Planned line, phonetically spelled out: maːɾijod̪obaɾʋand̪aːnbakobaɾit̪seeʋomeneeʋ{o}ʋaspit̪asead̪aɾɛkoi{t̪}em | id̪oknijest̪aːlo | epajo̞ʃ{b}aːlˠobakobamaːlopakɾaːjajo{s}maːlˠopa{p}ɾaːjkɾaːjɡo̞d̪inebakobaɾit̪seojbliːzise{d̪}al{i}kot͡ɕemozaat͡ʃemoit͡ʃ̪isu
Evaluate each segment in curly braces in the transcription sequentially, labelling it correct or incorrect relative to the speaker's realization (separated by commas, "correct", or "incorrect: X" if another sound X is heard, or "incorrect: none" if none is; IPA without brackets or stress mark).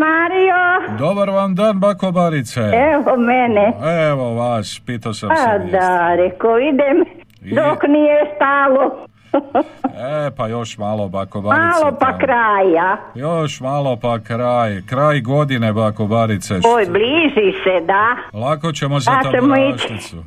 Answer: correct, incorrect: d̪, incorrect: m, incorrect: ʃ, incorrect: k, correct, incorrect: a